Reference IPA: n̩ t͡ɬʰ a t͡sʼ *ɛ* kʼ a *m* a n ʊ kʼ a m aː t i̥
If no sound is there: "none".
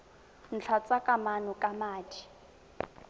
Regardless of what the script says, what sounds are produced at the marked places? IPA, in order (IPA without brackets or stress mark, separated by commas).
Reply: a, m